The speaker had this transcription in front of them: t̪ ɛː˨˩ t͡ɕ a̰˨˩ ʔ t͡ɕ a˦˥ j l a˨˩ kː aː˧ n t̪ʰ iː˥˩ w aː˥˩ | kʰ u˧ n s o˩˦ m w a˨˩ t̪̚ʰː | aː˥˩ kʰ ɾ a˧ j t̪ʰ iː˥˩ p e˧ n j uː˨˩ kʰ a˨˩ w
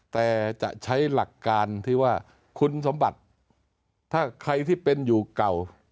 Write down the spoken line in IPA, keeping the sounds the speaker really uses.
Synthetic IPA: t̪ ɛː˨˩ t͡ɕ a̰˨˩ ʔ t͡ɕʰ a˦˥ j l a˨˩ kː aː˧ n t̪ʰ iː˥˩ w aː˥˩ | kʰ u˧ n s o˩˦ m b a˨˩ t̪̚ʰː | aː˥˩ kʰ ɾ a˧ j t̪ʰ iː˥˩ p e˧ n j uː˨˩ k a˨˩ w